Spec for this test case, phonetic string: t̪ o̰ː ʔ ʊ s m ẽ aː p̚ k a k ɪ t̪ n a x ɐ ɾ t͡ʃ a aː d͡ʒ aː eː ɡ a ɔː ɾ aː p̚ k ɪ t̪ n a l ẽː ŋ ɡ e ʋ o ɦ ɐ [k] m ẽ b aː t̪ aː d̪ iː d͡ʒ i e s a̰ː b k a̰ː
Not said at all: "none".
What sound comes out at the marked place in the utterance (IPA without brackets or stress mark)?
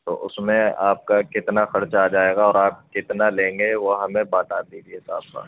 none